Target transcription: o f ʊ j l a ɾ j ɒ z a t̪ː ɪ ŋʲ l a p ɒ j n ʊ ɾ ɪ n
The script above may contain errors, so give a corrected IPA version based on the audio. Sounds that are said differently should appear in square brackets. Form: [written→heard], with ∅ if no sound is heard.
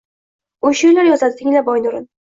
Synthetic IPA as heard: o [f→ʃ] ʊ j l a ɾ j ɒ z a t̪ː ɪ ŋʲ l a [p→b] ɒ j n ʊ ɾ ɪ n